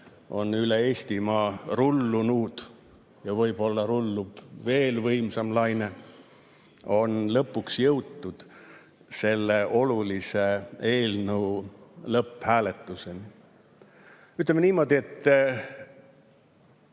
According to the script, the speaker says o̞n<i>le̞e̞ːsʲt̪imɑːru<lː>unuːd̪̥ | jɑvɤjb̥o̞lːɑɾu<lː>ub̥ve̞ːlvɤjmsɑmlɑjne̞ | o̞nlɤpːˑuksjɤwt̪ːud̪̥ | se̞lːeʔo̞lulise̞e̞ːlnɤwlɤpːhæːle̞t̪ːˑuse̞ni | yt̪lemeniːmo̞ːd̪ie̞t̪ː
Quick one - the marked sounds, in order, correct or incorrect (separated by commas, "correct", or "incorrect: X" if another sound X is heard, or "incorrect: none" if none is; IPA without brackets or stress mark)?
incorrect: y, correct, correct